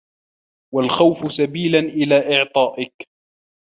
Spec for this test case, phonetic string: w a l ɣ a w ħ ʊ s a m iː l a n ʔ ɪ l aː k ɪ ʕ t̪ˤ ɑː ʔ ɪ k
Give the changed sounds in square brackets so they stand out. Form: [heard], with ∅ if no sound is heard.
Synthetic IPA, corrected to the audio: w a l [x] a w [f] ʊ s a [b] iː l a n ʔ ɪ l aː [ʔ] ɪ ʕ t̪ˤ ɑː ʔ ɪ k